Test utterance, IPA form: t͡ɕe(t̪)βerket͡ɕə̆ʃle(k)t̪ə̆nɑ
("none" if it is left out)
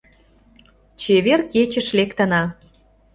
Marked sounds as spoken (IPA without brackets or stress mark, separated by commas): none, k